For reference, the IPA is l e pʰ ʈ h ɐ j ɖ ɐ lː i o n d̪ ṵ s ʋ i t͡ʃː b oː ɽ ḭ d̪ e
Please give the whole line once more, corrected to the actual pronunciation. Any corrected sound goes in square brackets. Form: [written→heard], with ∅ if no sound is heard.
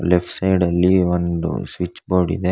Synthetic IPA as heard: l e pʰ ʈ [h→s] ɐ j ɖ ɐ lː i o n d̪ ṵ s ʋ i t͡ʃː b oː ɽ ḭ d̪ e

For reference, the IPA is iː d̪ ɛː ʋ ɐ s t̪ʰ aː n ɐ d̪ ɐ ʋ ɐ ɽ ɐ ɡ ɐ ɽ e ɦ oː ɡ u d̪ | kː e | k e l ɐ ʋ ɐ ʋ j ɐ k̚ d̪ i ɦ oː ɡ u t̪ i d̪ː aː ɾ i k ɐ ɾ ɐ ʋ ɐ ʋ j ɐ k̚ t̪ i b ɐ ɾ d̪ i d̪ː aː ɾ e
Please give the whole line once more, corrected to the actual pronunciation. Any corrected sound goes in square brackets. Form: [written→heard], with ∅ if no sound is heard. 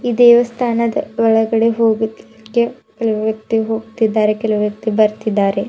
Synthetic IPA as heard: iː d̪ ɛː ʋ ɐ s t̪ʰ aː n ɐ d̪ ɐ ʋ ɐ [ɽ→ɭ] ɐ ɡ ɐ ɽ e ɦ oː ɡ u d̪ | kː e | k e l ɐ ʋ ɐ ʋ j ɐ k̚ [d̪→t̪] i ɦ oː ɡ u t̪ i d̪ː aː ɾ [i→e] k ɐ [ɾ→l] ɐ ʋ ɐ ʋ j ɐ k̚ t̪ i b ɐ ɾ [d̪→t̪] i d̪ː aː ɾ e

